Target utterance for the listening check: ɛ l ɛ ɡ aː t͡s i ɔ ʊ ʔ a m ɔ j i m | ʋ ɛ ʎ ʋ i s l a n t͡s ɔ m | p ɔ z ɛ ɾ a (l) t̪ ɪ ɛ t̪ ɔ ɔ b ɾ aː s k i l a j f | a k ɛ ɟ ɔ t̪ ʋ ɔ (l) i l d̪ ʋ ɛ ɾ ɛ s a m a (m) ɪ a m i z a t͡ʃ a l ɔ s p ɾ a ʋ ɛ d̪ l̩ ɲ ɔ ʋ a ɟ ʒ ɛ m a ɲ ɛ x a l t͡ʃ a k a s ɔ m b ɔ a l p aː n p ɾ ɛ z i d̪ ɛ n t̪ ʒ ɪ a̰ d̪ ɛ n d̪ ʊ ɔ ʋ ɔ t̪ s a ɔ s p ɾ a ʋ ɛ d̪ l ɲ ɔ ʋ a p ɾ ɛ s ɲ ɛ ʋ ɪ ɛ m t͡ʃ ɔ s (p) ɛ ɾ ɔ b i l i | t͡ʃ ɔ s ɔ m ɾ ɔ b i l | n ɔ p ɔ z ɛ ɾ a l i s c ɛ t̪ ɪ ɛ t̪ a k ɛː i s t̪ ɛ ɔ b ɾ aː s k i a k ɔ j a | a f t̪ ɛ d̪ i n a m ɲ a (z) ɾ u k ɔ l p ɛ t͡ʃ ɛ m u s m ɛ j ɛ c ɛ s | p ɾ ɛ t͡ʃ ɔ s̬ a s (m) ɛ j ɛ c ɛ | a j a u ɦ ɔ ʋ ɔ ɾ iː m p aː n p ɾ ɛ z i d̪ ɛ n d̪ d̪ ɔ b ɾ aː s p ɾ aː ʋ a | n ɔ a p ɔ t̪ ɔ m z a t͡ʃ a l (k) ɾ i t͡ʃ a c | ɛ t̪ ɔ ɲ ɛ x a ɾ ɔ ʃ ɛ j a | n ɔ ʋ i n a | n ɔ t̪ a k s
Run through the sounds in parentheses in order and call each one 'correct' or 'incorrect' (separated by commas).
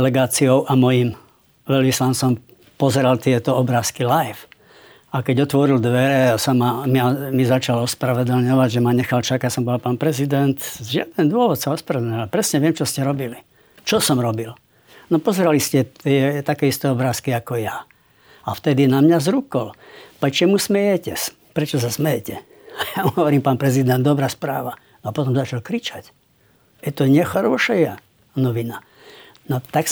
correct, incorrect, correct, incorrect, correct, correct, correct